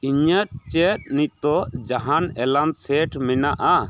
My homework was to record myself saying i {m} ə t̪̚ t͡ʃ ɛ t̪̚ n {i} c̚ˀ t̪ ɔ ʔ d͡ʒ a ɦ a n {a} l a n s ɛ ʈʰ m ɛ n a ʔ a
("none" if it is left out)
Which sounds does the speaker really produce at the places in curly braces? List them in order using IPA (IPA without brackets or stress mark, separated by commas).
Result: ɲ, i, ɛ